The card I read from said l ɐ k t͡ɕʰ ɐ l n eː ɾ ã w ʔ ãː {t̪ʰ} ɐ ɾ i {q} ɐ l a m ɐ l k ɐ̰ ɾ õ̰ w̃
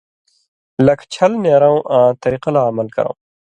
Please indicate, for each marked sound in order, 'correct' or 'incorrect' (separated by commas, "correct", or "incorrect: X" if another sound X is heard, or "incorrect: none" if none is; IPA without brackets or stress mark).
incorrect: t̪, correct